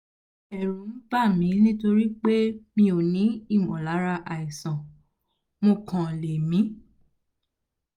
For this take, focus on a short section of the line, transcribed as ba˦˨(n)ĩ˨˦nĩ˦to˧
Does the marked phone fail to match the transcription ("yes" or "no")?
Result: yes